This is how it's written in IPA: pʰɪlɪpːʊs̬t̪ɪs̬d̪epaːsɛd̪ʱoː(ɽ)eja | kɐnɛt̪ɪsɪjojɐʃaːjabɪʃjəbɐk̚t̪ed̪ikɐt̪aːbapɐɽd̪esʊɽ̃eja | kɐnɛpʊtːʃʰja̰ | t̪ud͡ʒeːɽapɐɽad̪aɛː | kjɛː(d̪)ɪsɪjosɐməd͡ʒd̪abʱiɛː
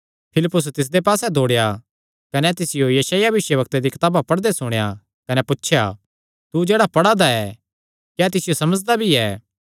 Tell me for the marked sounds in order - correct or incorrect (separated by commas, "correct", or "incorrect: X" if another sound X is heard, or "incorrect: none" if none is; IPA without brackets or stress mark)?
correct, incorrect: t̪